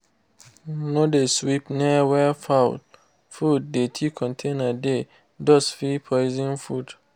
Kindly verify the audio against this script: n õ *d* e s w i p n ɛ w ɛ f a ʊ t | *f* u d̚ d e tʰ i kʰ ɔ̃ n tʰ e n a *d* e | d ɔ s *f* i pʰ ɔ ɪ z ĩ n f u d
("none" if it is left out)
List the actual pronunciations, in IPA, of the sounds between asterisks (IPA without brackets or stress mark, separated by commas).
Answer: d, f, d, f